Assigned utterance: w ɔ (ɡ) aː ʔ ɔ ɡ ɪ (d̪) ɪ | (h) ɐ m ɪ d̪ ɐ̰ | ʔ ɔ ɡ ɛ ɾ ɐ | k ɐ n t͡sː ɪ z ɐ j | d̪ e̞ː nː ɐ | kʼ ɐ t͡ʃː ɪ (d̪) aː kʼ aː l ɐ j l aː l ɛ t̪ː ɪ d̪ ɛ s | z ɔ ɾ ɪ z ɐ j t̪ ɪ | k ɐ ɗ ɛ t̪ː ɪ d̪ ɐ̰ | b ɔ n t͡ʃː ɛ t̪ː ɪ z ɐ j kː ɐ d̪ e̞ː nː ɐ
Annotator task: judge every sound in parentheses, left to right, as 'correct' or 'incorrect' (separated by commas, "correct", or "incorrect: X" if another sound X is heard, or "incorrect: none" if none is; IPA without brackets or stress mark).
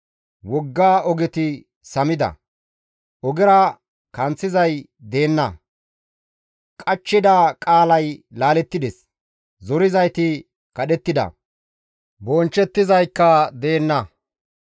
incorrect: ɡː, incorrect: t̪, incorrect: s, correct